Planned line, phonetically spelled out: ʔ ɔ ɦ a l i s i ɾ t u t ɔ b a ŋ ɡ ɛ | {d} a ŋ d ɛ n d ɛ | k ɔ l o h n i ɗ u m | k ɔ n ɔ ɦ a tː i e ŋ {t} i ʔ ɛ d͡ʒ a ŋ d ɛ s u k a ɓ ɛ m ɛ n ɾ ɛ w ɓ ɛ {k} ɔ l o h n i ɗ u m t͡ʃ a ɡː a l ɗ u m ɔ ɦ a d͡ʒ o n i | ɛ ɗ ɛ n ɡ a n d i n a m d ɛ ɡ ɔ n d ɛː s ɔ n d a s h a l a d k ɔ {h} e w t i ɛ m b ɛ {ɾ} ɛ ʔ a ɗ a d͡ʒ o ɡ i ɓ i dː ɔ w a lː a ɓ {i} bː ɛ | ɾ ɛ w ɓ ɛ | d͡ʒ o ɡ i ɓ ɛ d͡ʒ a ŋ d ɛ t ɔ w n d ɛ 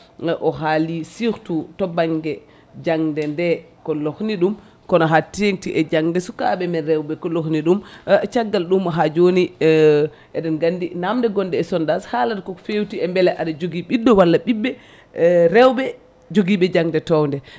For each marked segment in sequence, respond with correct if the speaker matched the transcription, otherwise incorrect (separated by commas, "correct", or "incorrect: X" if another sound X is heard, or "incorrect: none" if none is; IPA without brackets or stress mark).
incorrect: d͡ʒ, correct, correct, incorrect: f, incorrect: l, correct